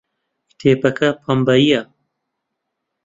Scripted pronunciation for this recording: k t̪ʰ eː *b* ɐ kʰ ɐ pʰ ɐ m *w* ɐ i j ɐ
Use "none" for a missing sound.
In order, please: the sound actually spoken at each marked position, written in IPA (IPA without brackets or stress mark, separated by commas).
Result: p, b